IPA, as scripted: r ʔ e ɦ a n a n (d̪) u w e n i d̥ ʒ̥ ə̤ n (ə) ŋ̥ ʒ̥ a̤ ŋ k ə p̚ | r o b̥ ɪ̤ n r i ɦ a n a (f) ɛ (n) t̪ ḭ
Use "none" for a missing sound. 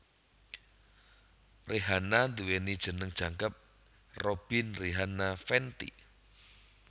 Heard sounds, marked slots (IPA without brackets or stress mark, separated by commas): d̪, ə, f, n